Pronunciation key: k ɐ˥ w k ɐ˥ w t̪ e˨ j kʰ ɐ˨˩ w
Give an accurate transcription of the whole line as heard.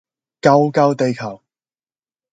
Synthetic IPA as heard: k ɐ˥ w k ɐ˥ w t̪ e˨ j kʰ ɐ˨˩ w